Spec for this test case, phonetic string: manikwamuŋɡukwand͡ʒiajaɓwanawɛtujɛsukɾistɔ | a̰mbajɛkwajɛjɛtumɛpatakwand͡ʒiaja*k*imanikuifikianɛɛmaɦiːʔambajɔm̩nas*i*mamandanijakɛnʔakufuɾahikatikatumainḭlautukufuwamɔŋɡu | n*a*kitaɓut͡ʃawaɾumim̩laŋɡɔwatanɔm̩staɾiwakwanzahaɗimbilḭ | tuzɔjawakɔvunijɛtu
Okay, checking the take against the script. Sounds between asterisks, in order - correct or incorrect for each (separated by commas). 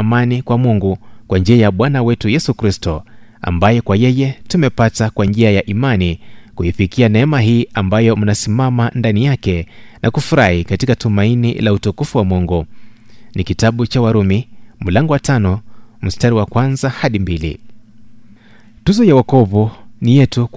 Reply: incorrect, correct, incorrect